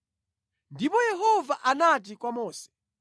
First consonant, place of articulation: alveolar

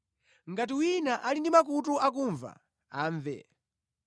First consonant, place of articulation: velar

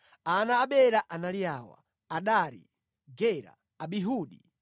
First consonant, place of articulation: alveolar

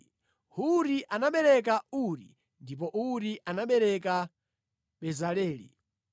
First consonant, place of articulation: glottal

